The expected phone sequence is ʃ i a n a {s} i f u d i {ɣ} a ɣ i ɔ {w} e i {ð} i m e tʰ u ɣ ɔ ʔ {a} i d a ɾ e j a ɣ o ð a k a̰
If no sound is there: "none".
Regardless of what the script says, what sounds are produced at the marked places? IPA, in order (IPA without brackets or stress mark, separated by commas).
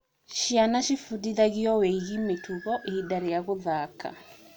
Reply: ʃ, ð, w, ɣ, e